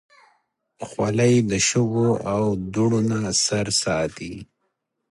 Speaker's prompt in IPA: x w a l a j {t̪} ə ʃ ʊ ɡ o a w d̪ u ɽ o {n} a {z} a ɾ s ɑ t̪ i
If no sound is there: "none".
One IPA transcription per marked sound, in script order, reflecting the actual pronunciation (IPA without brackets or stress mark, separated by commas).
d̪, n, s